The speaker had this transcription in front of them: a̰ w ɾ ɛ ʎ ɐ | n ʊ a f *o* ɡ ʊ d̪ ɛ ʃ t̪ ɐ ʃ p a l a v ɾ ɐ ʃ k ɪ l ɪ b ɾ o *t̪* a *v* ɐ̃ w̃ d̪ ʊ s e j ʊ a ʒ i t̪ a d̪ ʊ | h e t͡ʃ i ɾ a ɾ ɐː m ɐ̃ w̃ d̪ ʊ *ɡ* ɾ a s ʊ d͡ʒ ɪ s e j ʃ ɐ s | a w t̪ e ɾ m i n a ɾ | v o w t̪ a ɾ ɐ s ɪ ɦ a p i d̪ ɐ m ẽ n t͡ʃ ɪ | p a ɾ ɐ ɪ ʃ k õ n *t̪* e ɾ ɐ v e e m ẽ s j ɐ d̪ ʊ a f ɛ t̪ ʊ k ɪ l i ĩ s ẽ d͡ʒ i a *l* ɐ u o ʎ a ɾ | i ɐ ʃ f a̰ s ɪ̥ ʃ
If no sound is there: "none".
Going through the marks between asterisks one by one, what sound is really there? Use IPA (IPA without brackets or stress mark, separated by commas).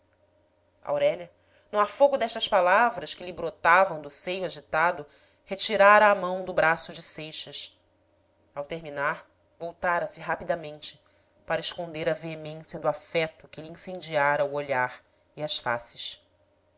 o, t̪, v, b, d̪, ɾ